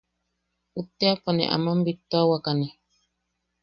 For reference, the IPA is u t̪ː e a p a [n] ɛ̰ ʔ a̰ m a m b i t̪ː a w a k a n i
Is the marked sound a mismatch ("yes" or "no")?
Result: no